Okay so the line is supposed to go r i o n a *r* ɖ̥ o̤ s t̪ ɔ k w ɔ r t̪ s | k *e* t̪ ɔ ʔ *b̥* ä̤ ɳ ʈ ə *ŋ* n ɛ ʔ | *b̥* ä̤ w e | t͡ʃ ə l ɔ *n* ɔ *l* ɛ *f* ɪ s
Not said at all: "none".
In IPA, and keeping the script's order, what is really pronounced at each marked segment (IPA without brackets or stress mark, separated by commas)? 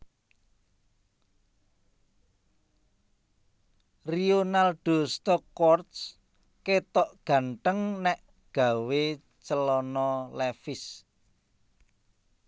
l, e, ɡ̥, ŋ, ɡ̥, n, l, f